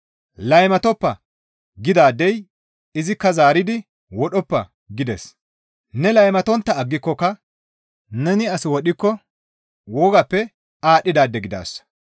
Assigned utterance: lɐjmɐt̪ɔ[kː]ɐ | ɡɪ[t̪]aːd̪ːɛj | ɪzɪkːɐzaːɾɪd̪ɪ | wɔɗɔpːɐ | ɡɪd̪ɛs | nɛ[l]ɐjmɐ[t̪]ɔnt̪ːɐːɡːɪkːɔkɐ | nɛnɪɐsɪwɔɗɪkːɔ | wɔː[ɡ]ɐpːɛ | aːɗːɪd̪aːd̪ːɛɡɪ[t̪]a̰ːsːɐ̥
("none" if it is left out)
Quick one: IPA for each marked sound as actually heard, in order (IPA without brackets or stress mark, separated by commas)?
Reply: pː, d̪, l, t̪, ɡ, d̪